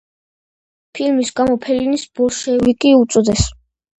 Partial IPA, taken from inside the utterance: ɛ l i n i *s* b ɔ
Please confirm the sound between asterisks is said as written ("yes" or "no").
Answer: yes